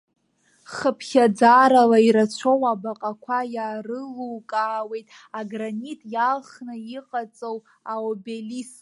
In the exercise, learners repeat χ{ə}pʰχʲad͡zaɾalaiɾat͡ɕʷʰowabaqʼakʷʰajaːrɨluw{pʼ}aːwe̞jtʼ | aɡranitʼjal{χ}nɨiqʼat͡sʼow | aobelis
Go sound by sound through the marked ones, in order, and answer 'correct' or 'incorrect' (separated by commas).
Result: correct, incorrect, correct